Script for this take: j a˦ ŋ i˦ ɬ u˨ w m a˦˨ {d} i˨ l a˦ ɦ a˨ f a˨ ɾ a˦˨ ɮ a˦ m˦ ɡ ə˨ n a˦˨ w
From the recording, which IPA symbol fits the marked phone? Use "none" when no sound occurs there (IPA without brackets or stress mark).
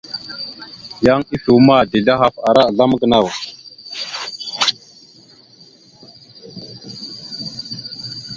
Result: d